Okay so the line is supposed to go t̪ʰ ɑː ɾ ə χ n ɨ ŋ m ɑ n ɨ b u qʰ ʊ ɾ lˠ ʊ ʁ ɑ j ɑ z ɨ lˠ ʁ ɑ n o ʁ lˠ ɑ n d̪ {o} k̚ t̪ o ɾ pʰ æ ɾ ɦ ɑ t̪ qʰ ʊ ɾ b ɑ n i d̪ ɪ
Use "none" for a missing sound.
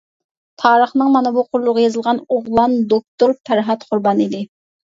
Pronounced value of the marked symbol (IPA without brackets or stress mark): o